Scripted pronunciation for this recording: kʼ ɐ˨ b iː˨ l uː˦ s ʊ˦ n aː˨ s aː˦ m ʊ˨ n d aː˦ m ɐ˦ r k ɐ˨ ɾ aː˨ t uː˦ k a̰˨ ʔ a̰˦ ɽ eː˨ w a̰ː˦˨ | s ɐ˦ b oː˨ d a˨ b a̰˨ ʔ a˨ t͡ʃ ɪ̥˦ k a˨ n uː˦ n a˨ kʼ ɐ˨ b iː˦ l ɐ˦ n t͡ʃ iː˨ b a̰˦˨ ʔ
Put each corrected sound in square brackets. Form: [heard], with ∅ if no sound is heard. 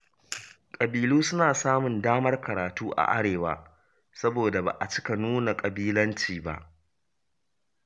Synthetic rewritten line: kʼ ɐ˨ b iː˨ l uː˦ s ʊ˦ n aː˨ s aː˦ m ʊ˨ n d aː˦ m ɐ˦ r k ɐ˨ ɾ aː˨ t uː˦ [ʔ] a̰˨ ʔ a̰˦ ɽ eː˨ w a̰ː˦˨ | s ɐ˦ b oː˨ d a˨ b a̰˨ ʔ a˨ t͡ʃ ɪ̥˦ k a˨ n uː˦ n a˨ kʼ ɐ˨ b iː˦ l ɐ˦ n t͡ʃ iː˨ b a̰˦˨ ʔ